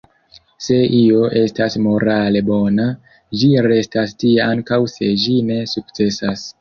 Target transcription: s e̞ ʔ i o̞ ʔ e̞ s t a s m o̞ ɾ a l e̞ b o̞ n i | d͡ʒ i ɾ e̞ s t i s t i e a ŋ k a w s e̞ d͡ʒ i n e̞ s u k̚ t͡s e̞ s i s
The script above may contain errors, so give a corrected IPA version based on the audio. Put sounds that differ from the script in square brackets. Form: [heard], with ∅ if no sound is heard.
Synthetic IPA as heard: s e̞ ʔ i o̞ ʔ e̞ s t a s m o̞ ɾ a l e̞ b o̞ n [a] | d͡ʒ i ɾ e̞ s t [a] s t i e a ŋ k a w s e̞ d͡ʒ i n e̞ s u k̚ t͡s e̞ s [a] s